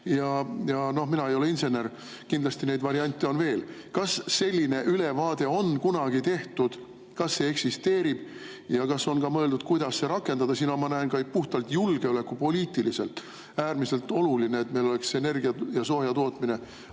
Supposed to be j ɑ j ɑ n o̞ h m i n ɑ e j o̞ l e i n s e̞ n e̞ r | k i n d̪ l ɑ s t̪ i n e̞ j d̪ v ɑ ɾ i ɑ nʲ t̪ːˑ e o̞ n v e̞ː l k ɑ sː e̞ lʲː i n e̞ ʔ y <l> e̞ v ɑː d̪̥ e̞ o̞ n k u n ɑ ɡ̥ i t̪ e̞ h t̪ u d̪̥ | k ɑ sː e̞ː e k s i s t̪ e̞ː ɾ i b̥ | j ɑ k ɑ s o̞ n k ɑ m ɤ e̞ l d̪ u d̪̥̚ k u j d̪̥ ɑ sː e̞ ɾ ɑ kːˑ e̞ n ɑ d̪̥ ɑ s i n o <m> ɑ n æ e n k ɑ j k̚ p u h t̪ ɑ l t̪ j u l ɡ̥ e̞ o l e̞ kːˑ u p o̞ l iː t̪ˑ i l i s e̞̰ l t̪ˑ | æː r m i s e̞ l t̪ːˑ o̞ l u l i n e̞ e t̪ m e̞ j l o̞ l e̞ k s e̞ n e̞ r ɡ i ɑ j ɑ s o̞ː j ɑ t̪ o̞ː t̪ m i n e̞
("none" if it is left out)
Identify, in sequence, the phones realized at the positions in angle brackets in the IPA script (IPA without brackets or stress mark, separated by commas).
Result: l, m